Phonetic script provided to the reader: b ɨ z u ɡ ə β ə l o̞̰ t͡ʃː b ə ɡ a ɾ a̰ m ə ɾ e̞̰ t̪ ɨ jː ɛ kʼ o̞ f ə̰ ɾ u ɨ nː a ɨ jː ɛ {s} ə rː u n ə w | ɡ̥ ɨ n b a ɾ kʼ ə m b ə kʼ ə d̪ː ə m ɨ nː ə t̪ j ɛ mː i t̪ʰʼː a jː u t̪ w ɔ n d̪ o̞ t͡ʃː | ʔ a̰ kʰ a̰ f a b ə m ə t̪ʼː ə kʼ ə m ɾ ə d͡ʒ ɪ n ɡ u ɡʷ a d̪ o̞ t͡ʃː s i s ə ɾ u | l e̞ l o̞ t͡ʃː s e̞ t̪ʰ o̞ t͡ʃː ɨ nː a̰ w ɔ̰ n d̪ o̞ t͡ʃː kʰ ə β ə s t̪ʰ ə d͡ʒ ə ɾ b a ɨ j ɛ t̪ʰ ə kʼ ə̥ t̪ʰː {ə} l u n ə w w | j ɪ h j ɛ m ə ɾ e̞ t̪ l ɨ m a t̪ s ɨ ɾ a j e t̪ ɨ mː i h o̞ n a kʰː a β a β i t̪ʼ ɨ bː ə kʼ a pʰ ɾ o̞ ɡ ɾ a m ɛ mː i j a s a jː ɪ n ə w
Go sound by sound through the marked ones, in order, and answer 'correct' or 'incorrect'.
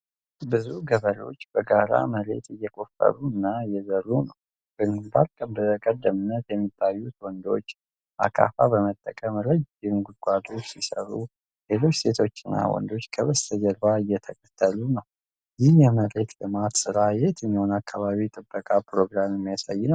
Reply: incorrect: z, correct

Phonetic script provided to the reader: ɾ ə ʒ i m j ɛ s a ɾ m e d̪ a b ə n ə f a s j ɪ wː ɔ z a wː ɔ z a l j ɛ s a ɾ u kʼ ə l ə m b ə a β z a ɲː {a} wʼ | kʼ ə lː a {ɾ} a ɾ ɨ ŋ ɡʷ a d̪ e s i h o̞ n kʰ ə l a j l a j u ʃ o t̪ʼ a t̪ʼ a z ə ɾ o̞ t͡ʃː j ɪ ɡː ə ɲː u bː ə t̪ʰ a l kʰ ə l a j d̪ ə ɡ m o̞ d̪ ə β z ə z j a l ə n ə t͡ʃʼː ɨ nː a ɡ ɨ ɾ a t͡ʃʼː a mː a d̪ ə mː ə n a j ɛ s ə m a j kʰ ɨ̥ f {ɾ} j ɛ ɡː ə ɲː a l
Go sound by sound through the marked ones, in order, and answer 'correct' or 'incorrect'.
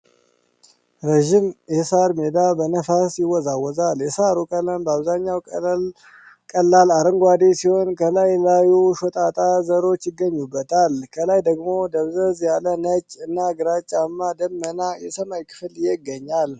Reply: correct, incorrect: l, incorrect: l

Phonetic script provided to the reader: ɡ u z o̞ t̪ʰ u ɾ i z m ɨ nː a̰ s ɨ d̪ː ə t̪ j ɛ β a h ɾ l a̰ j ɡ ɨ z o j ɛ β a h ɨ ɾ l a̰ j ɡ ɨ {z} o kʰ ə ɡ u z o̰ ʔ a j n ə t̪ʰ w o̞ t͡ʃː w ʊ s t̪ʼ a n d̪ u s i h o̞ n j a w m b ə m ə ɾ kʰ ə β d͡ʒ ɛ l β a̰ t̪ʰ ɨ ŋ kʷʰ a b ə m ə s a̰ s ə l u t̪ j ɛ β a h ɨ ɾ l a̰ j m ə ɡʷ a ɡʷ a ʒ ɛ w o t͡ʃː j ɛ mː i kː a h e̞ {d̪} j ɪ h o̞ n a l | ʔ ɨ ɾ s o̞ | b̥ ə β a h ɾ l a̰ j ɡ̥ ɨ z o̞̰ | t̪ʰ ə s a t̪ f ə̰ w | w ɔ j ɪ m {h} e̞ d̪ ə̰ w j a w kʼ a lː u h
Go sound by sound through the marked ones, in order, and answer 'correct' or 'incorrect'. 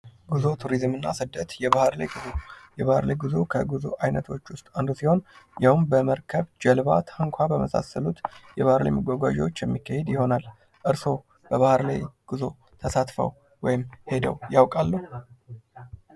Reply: correct, correct, correct

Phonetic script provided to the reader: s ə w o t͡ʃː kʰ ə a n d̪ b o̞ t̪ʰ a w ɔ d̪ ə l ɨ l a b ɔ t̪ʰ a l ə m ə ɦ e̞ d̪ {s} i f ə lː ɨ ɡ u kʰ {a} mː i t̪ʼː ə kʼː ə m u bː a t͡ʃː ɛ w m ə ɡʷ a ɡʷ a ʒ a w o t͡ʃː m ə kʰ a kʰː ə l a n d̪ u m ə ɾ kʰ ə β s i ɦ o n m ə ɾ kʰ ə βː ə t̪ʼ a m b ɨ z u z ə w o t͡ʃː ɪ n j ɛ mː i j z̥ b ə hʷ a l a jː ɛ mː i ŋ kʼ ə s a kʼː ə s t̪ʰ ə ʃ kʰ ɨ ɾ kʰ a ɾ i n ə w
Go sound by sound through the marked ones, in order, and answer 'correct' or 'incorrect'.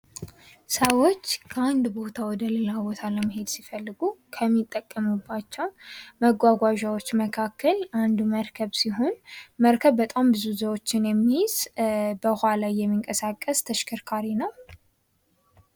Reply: correct, incorrect: ə

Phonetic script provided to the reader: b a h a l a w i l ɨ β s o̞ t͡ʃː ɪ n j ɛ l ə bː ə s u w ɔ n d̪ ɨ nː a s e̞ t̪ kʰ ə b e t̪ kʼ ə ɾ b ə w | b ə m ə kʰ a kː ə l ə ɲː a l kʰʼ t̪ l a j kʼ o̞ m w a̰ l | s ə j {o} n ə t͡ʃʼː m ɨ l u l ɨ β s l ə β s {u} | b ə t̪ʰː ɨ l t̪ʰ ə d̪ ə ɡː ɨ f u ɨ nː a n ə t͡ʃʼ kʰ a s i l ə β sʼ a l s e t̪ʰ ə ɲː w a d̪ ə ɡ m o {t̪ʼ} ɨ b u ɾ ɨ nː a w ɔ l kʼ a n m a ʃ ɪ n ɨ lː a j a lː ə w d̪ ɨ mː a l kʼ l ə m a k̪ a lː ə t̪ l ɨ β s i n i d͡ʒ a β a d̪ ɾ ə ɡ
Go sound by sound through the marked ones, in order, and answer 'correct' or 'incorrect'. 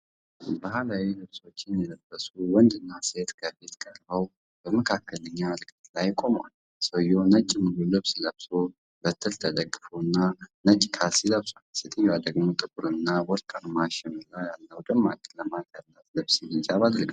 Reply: correct, incorrect: o, correct

